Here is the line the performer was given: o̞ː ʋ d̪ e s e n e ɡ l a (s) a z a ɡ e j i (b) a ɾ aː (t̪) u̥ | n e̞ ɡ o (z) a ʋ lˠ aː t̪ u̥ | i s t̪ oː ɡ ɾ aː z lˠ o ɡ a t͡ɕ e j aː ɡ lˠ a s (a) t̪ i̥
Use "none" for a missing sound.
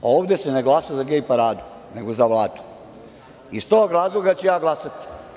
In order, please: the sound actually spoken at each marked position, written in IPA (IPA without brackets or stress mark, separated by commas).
s, p, d̪, z, a